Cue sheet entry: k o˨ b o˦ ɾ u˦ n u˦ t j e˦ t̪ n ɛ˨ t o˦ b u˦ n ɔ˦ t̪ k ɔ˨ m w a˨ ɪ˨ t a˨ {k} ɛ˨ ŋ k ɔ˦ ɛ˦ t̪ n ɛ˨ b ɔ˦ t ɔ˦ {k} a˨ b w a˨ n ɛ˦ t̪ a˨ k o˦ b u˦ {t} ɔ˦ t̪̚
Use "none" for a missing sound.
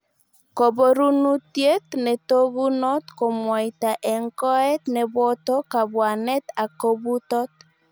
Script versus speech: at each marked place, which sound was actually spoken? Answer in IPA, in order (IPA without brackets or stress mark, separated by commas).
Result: ʔ, k, t